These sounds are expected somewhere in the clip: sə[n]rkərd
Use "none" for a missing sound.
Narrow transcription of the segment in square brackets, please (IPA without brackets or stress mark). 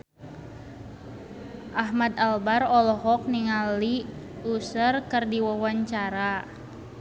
none